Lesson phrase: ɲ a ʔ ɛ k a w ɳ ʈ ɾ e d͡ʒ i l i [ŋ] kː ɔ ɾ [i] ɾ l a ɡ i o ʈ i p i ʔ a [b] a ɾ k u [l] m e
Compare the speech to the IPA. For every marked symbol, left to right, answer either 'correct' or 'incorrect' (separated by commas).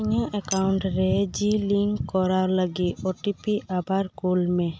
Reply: correct, incorrect, correct, correct